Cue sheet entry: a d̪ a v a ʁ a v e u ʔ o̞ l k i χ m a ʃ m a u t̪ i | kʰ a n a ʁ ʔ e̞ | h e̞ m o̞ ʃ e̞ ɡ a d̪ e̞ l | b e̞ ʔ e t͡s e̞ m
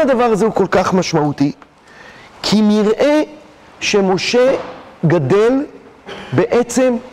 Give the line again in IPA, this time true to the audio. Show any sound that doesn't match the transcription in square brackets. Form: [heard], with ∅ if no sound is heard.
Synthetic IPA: a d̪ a v a ʁ a [z] e u [k] o̞ l k [a] χ m a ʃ m a u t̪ i | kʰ [i] n [i] ʁ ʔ e̞ | [ʃ] e̞ m o̞ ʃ e̞ ɡ a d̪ e̞ l | b e̞ ʔ e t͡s e̞ m